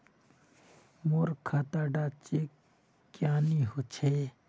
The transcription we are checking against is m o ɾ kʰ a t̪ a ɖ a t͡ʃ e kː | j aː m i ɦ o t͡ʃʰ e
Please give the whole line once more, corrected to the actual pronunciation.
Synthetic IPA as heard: m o ɾ kʰ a t̪ a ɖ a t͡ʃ e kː | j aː n i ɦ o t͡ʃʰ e

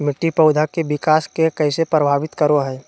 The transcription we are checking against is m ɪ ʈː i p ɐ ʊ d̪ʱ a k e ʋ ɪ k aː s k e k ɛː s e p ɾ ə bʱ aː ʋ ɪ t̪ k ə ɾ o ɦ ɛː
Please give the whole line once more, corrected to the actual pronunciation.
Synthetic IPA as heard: m ɪ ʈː i p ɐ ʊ d̪ʱ a k e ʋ ɪ k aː s k e k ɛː s e p ɾ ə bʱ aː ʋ ɪ t̪ k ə ɾ o ɦ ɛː

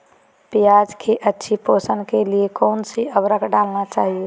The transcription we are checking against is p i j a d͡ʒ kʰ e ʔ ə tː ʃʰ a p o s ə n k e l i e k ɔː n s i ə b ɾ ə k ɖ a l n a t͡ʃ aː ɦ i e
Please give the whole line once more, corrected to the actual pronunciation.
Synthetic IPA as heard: p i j a d͡ʒ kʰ e ʔ ə tː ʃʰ i p o s ə n k e l i e k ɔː n s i ə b ɾ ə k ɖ a l n a t͡ʃ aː ɦ i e

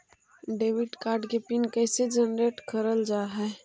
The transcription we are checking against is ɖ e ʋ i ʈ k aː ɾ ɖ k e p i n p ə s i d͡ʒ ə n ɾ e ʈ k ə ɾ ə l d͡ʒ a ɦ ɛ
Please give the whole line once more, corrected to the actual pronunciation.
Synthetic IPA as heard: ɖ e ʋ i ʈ k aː ɾ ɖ k e p i n k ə s e d͡ʒ ə n ɾ e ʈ k ə ɾ ə l d͡ʒ a ɦ ɛ

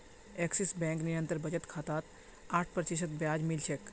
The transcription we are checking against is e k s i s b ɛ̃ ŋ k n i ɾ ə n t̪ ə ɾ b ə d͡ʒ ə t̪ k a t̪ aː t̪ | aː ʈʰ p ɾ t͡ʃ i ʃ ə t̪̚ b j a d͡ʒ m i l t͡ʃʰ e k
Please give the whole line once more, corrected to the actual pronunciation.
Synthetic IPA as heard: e k s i s b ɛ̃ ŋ k n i ɾ ə n t̪ ə ɾ b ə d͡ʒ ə t̪ kʰ a t̪ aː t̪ | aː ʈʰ p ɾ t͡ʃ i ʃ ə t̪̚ b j a d͡ʒ m i l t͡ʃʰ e k

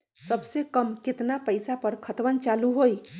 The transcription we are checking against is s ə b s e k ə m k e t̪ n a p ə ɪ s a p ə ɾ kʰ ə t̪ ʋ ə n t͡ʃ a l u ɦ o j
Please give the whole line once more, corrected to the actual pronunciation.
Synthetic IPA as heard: s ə b s e k ə m k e t̪ n a p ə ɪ s a p ə ɾ kʰ ə t̪ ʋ ə n t͡ʃ a l u ɦ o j

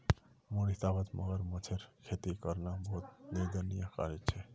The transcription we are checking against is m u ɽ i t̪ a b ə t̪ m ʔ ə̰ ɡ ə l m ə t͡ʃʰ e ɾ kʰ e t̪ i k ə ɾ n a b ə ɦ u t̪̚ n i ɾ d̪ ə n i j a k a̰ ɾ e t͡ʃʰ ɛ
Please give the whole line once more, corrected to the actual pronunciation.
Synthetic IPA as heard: m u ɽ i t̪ a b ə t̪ m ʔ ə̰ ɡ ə ɾ m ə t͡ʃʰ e ɾ kʰ e t̪ i k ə ɾ n a b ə ɦ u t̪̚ n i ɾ d̪ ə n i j a k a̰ ɾ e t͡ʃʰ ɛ

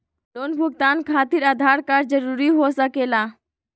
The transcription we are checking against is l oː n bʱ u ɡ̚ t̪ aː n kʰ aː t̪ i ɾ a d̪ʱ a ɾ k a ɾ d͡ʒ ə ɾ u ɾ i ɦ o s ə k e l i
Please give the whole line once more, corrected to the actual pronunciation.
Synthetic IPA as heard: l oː n bʱ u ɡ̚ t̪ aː n kʰ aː t̪ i ɾ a d̪ʱ a ɾ k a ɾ d͡ʒ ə ɾ u ɾ i ɦ o s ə k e l a

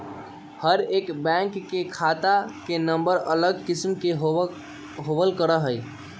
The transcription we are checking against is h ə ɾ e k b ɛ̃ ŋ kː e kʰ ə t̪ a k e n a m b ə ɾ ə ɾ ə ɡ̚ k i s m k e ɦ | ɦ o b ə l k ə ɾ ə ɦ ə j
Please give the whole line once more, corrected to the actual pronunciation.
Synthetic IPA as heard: h ə ɾ e k b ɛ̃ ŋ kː e kʰ a t̪ a k e n ə m b ə ɾ ə l ə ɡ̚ k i s m k e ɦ | ɦ o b ə l k ə ɾ ə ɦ ə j

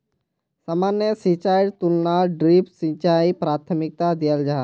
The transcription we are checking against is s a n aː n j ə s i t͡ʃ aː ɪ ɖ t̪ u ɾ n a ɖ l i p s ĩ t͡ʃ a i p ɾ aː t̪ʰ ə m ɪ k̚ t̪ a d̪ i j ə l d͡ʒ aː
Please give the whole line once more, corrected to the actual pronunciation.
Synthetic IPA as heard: s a m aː n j ə s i t͡ʃ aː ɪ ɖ t̪ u l n a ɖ ɾ i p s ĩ t͡ʃ a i p ɾ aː t̪ʰ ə m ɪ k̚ t̪ a d̪ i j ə l d͡ʒ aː

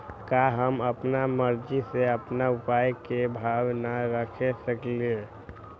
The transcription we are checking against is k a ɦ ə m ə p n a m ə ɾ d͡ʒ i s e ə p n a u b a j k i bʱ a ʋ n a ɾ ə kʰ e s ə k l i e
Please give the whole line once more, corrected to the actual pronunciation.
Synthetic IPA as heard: k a ɦ ə m ə p n a m ə ɾ d͡ʒ i s e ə p n a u p a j k e bʱ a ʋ n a ɾ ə kʰ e s ə k l i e

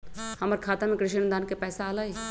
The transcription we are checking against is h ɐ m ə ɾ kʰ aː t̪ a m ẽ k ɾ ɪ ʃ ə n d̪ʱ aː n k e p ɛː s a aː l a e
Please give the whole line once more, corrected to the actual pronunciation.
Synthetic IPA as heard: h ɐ m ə ɾ kʰ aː t̪ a m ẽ k ɾ ɪ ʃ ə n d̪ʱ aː n k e p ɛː s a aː l a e

